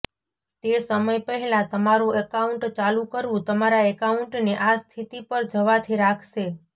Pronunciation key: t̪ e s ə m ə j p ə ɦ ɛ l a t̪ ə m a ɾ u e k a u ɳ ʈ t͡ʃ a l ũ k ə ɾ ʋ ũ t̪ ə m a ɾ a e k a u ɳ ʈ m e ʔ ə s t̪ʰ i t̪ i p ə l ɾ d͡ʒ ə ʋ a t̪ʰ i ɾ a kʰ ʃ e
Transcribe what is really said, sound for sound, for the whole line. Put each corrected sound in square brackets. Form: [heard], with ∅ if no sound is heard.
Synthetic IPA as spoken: t̪ e s ə m ə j p ə ɦ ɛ l a t̪ ə m a ɾ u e k a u ɳ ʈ t͡ʃ a l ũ k ə ɾ ʋ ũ t̪ ə m a ɾ a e k a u ɳ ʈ [n] e ʔ [a] s t̪ʰ i t̪ i p ə [∅] ɾ d͡ʒ ə ʋ a t̪ʰ i ɾ a kʰ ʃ e